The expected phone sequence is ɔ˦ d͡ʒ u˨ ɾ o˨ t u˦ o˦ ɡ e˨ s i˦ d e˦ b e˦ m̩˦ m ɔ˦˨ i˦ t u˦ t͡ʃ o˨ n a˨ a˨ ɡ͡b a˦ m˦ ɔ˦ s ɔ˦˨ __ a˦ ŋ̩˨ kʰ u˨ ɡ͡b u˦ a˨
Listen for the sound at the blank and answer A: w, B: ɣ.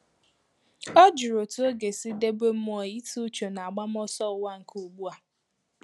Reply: A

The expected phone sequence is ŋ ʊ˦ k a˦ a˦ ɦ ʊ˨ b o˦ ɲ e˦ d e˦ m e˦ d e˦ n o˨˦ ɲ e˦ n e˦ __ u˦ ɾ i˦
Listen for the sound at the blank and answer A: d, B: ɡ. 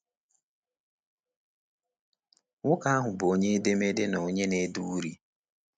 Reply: A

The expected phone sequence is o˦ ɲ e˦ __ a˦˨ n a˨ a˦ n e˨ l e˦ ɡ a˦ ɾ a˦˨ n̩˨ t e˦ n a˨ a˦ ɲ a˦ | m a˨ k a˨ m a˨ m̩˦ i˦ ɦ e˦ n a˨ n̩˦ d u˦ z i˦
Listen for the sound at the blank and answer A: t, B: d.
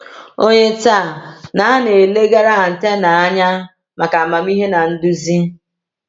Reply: A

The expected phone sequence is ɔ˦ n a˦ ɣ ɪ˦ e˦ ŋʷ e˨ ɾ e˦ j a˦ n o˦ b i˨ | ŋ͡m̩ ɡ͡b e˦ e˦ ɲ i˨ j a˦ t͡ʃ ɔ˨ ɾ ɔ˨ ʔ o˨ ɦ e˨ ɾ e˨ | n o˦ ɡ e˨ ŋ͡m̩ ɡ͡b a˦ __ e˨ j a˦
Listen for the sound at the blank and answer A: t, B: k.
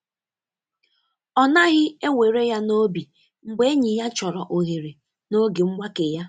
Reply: B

